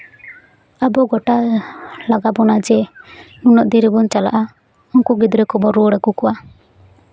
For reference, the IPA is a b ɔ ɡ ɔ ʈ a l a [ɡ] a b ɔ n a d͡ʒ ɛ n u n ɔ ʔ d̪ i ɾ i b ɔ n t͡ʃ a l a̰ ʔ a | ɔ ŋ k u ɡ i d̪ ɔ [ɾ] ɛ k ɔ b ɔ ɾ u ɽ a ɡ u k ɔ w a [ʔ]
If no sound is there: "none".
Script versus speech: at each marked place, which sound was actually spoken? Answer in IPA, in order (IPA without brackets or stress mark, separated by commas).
ɡ, ɾ, none